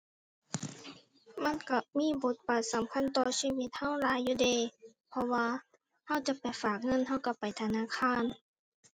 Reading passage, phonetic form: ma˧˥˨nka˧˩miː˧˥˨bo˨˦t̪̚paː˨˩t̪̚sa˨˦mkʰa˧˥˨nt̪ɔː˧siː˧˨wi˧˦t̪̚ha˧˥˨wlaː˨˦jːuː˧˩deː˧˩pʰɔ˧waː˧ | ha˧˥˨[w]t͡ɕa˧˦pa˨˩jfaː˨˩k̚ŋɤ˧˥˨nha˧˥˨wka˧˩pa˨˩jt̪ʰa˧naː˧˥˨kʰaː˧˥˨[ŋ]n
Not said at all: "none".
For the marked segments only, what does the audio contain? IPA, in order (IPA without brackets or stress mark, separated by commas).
w, none